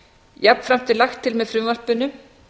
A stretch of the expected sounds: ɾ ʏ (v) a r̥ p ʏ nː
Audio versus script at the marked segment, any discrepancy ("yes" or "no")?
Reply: no